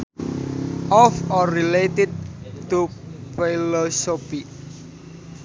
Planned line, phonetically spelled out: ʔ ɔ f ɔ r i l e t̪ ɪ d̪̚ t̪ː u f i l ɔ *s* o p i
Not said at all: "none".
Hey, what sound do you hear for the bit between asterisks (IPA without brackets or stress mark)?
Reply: s